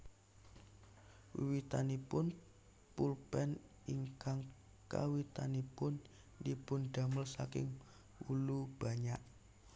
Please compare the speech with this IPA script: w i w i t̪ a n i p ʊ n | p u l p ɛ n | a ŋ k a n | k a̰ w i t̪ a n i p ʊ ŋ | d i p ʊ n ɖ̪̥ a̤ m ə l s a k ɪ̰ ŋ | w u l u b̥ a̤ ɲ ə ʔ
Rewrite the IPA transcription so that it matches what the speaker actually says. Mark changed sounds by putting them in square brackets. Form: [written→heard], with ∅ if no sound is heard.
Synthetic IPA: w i w i t̪ a n i p ʊ n | p u l p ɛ n | [a→i] ŋ k a [n→ŋ] | k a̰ w i t̪ a n i p ʊ [ŋ→n] | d i p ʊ n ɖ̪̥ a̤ m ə l s a k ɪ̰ ŋ | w u l u b̥ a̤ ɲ [ə→a] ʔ